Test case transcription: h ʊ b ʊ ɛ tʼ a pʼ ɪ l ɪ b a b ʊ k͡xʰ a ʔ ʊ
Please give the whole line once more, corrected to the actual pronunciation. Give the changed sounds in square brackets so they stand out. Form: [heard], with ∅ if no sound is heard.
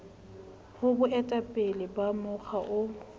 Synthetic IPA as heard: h ʊ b ʊ ɛ tʼ a pʼ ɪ l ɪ b a [m] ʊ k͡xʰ a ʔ ʊ

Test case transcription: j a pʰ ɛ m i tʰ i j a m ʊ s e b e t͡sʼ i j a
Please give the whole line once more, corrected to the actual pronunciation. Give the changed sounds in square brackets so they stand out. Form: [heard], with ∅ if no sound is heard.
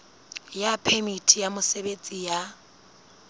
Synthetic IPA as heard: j a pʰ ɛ m i tʰ i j a m ʊ s e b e t͡sʼ i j a

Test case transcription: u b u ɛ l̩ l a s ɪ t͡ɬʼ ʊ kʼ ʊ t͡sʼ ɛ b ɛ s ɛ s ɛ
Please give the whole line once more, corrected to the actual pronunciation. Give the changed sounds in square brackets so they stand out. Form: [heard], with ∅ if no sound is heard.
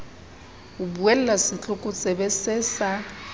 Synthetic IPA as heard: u b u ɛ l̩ l a s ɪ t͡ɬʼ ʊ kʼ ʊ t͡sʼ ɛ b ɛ s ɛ s [a]

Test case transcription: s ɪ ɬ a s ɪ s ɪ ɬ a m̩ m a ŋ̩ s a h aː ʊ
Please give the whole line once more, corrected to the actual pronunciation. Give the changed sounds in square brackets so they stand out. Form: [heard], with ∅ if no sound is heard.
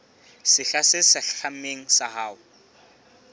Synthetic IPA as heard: s ɪ ɬ a s ɪ s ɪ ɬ a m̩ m [e] ŋ̩ s a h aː ʊ

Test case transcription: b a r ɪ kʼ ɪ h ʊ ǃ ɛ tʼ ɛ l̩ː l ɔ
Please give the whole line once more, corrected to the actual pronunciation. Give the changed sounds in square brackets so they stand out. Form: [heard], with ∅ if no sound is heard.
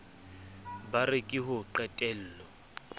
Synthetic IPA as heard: b a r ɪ kʼ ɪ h ʊ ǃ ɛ tʼ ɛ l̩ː l ɔ

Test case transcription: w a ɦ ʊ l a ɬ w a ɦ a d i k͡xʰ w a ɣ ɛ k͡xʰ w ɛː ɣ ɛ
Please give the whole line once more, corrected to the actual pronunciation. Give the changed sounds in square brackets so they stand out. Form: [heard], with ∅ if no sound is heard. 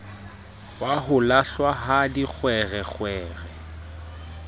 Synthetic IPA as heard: w a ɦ ʊ l a ɬ w a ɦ a d i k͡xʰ w [ɛ] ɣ ɛ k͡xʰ w ɛː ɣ ɛ

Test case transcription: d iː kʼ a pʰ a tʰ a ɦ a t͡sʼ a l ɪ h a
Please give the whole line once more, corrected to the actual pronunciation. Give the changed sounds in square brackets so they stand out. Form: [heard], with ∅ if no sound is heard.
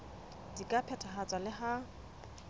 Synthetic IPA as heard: d [i] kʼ a pʰ [ɛ] tʰ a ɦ a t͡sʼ a l ɪ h a

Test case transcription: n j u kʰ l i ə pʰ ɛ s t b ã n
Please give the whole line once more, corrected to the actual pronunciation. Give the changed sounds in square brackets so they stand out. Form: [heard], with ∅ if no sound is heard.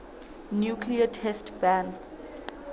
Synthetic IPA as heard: n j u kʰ l i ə [tʰ] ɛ s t b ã n

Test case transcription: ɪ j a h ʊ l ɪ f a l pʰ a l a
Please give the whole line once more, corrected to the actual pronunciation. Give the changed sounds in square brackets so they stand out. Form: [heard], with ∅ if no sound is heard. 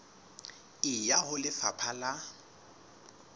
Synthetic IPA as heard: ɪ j a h ʊ l ɪ f a [∅] pʰ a l a

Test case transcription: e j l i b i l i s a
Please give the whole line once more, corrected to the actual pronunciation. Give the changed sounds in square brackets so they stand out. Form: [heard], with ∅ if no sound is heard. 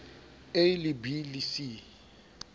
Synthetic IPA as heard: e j l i b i l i s [i]

